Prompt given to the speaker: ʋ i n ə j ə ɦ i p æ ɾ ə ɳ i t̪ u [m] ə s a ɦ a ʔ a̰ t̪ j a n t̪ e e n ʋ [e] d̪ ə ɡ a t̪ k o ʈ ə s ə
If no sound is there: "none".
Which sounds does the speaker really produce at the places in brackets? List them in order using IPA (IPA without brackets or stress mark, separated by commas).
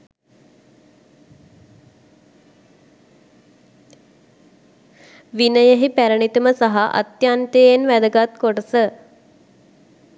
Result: m, æ